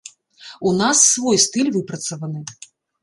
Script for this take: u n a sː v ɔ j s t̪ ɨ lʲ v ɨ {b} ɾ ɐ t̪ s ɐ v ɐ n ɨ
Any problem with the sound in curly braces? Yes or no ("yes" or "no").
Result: yes